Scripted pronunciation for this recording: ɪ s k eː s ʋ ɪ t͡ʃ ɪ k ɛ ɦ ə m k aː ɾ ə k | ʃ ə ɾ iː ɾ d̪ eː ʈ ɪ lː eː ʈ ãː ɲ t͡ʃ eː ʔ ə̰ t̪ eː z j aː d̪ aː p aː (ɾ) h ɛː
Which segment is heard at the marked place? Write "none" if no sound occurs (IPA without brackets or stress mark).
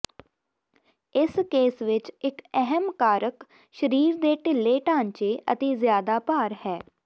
ɾ